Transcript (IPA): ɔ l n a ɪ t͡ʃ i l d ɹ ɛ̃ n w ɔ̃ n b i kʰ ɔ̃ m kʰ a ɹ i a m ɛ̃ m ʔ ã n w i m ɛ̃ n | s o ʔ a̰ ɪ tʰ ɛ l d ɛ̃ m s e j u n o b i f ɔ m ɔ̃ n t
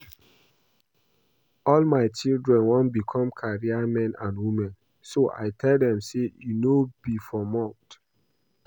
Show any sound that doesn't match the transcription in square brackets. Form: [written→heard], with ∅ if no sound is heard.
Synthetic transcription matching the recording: ɔ l [n→m] a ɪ t͡ʃ i l d ɹ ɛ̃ n w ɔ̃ n b i kʰ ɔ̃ m kʰ a ɹ i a m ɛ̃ [m→n] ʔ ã n w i m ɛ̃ n | s o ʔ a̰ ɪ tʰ ɛ l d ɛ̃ m s e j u n o b i f ɔ m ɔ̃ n t